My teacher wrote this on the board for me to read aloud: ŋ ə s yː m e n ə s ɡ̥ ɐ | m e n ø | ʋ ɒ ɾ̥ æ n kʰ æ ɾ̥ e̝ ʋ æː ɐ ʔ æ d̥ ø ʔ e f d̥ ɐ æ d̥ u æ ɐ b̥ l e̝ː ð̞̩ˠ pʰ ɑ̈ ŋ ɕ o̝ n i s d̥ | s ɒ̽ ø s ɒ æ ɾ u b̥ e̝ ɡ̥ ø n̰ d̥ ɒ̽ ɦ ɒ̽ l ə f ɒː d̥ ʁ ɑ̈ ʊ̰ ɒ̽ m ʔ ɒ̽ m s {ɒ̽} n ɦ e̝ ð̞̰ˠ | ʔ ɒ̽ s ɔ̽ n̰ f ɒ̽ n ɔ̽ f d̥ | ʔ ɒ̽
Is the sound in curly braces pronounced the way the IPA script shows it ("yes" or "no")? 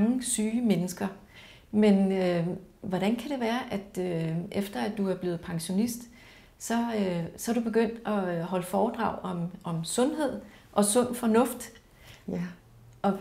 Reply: no